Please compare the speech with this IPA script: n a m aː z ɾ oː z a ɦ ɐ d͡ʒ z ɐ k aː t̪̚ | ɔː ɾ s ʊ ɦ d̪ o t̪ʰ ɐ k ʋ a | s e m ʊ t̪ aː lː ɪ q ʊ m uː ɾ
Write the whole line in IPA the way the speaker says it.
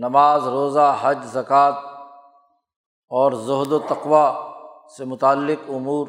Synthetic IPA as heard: n ɐ m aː z ɾ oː z a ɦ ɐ d͡ʒ z ɐ k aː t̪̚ | ɔː ɾ z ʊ ɦ d̪ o t̪ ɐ q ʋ a | s e m ʊ t̪ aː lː ɪ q ʊ m uː ɾ